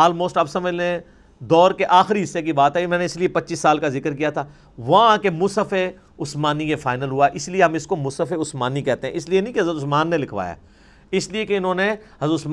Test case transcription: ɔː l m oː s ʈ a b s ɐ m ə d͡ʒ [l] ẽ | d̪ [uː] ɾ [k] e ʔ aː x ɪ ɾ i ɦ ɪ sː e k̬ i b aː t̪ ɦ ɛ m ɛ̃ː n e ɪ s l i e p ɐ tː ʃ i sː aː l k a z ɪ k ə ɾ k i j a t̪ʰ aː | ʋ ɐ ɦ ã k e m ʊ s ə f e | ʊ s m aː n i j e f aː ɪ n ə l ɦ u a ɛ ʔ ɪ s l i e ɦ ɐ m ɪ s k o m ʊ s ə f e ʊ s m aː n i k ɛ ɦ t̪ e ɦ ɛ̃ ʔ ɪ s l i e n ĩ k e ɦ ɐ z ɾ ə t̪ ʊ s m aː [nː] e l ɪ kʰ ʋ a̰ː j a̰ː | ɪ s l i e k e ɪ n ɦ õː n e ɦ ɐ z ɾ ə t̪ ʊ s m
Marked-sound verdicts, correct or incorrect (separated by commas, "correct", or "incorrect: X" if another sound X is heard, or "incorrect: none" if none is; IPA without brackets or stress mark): correct, incorrect: ɔː, correct, correct